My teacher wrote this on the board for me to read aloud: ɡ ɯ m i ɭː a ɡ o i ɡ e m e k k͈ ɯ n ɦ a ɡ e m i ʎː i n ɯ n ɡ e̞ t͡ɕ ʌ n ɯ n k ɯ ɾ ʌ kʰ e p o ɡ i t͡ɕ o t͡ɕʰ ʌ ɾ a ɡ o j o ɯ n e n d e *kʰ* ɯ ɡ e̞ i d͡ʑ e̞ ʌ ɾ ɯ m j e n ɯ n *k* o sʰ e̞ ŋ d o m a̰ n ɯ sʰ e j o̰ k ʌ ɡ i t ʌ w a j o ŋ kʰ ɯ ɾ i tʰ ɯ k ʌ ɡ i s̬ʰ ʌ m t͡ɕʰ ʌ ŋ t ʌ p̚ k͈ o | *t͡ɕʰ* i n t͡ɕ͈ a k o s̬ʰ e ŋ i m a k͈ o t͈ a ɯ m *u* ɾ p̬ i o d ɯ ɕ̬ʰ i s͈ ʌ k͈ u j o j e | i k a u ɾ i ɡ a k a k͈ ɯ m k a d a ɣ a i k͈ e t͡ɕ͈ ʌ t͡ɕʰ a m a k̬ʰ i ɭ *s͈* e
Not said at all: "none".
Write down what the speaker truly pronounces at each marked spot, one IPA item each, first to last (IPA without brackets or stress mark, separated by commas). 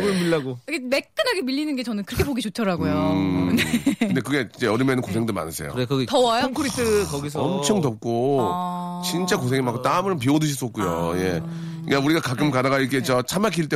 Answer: k, k, t͡ɕ, ɯ, t͈